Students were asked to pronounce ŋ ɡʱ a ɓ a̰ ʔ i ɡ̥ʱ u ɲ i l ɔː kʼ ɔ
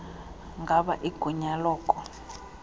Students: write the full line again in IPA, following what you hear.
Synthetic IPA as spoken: ŋ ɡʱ a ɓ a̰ ʔ i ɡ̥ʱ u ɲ a l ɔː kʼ ɔ